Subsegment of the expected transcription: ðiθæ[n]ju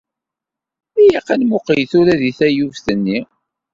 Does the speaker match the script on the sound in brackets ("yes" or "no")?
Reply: no